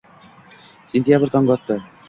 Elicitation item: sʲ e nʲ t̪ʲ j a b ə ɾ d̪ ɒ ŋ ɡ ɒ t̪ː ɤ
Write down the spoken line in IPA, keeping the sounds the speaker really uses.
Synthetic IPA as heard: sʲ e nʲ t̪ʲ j a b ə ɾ t̪ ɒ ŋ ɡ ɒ t̪ː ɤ